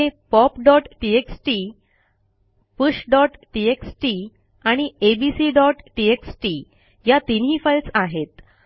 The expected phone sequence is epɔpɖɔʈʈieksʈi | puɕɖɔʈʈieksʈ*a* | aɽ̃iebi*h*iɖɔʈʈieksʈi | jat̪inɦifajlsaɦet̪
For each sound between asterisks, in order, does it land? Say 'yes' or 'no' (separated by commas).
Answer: no, no